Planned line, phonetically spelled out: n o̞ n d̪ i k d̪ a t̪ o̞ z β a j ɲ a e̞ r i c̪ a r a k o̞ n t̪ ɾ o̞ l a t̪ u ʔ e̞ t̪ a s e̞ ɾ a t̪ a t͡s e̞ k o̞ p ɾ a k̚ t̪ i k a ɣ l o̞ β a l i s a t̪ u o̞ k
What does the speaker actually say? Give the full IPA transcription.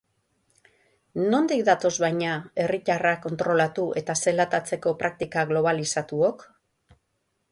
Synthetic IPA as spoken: n o̞ n d̪ i k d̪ a t̪ o̞ z β a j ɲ a e̞ r i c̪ a r a k o̞ n t̪ ɾ o̞ l a t̪ u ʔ e̞ t̪ a s e̞ l a t̪ a t͡s e̞ k o̞ p ɾ a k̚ t̪ i k a ɣ l o̞ β a l i s a t̪ u o̞ k

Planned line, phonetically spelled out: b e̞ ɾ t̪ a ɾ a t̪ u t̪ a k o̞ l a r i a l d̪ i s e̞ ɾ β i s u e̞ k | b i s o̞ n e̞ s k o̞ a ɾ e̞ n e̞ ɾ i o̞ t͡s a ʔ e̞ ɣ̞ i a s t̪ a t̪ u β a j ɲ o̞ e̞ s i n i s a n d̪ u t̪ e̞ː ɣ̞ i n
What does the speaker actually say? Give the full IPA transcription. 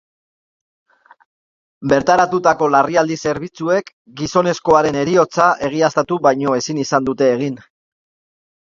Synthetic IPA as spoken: b e̞ ɾ t̪ a ɾ a t̪ u t̪ a k o̞ l a r i a l d̪ i s e̞ ɾ β i t͡s u e̞ k | ɡ i s o̞ n e̞ s k o̞ a ɾ e̞ n e̞ ɾ i o̞ t͡s a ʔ e̞ ɣ̞ i a s t̪ a t̪ u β a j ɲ o̞ e̞ s i n i s a n d̪ u t̪ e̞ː ɣ̞ i n

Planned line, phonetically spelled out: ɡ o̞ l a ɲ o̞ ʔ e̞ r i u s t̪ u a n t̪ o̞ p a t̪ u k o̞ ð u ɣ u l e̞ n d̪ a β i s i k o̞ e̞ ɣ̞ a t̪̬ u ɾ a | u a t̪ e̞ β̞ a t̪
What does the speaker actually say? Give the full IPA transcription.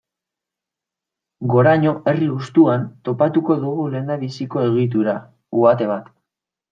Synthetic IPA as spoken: ɡ o̞ ɾ a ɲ o̞ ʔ e̞ r i u s t̪ u a n t̪ o̞ p a t̪ u k o̞ ð u ɣ u l e̞ n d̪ a β i s i k o̞ e̞ ɣ̞ i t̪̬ u ɾ a | u a t̪ e̞ β̞ a t̪

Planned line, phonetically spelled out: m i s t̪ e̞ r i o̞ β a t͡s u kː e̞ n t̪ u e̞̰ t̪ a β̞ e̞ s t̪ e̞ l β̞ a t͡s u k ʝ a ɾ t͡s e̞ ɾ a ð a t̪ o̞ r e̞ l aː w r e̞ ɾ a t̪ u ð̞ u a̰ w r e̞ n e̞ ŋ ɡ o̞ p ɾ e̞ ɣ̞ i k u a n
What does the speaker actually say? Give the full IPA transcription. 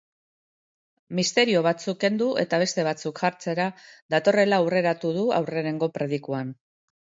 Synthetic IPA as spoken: m i s t̪ e̞ ɾ i o̞ β a t͡s u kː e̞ n d̪ u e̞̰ t̪ a β̞ e̞ s t̪ e̞ β̞ a t͡s u k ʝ a ɾ t͡s e̞ ɾ a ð a t̪ o̞ r e̞ l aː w r e̞ ɾ a t̪ u ð̞ u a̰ w r e̞ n e̞ ŋ ɡ o̞ p ɾ e̞ ð̞ i k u a n

